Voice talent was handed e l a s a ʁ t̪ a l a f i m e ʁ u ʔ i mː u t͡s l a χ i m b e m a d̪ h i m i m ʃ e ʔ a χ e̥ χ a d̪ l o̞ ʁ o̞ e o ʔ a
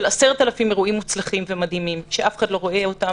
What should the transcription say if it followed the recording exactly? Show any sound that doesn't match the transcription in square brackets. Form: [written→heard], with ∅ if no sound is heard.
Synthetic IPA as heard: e l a s [a→e] ʁ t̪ a l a f i m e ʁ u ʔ i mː u t͡s l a χ i m [b→v] e m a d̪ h i m i m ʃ e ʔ a [χ→f] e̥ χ a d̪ l o̞ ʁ o̞ e o [ʔ→t] a